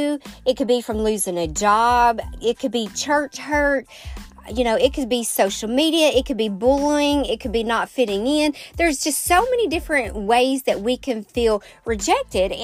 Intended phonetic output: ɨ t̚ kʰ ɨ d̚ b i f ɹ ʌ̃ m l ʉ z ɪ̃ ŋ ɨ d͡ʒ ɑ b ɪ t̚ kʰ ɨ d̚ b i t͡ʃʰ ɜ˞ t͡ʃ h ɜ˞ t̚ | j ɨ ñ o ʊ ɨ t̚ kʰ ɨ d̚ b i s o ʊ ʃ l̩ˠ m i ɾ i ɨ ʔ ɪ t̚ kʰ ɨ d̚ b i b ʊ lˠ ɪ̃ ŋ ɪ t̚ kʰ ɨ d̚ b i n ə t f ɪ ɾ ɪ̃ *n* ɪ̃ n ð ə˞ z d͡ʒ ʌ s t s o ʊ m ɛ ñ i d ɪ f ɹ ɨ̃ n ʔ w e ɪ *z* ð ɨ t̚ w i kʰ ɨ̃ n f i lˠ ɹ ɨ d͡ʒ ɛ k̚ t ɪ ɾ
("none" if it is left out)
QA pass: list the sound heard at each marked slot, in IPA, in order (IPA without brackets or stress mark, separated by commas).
ŋ, z